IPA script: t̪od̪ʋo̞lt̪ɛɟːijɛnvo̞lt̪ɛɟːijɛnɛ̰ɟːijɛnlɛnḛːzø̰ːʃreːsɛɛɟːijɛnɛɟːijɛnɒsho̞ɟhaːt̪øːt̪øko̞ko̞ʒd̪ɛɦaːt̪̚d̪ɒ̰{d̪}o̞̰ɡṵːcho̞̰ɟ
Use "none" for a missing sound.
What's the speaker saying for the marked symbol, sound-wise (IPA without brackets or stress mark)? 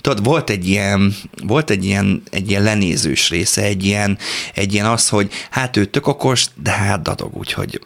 d̪